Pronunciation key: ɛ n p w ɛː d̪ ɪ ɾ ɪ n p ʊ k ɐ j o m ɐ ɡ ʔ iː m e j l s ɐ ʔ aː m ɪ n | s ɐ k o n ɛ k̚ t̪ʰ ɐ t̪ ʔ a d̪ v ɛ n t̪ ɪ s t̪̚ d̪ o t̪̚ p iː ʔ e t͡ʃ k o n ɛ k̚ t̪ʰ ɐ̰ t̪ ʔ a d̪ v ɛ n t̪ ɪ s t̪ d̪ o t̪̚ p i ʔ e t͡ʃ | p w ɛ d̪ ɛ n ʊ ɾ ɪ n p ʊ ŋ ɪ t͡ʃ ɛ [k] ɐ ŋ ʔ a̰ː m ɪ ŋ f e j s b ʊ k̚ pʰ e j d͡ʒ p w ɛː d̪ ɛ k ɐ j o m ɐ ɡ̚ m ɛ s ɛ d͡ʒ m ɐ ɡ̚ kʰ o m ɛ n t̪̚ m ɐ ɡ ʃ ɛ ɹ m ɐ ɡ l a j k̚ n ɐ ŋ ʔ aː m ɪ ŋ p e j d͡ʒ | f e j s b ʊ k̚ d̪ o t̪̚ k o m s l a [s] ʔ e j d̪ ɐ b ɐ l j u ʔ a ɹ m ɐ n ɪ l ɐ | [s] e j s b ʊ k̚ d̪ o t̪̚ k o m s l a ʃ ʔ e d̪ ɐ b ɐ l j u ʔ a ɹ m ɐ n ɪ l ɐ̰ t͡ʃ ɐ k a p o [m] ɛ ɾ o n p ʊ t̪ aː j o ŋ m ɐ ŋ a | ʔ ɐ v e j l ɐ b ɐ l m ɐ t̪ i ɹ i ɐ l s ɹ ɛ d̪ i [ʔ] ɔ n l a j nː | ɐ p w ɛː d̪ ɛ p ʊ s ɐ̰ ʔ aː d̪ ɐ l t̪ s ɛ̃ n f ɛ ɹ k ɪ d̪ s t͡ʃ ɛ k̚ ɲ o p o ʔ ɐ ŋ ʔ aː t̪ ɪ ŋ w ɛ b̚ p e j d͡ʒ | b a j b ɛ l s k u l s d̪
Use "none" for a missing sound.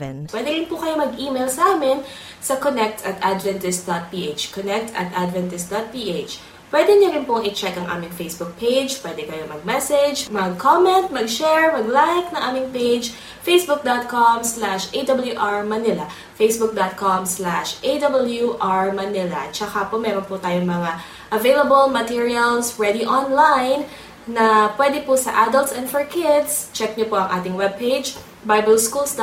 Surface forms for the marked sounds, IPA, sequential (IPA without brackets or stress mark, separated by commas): k, ʃ, f, m, ʔ